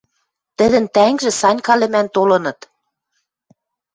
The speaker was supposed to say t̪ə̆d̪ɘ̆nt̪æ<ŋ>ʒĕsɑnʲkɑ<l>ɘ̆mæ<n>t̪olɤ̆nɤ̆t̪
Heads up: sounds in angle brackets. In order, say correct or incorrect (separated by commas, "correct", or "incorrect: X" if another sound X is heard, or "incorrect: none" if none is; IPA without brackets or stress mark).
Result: correct, correct, correct